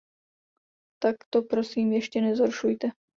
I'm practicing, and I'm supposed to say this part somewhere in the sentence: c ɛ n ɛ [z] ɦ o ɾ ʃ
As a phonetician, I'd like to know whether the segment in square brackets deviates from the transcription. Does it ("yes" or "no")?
no